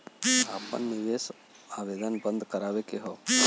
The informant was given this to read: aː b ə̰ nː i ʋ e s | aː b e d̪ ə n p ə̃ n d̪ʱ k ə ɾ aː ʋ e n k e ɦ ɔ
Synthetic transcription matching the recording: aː p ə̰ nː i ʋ e s | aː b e d̪ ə n b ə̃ n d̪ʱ k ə ɾ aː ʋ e k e ɦ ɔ